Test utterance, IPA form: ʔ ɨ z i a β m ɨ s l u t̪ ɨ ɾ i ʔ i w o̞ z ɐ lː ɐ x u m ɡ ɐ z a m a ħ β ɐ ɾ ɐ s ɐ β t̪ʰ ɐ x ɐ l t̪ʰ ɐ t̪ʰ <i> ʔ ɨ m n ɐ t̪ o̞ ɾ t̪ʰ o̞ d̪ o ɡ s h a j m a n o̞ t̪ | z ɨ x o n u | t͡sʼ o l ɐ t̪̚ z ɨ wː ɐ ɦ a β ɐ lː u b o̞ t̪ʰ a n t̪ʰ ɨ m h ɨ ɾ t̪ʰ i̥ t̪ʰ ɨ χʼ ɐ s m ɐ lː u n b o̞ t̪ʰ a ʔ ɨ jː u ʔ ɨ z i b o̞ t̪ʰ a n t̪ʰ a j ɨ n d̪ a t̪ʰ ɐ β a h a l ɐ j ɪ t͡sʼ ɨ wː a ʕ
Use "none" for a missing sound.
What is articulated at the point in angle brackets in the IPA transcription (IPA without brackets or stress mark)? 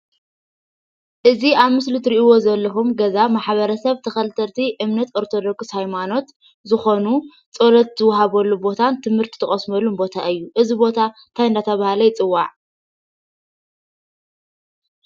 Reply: i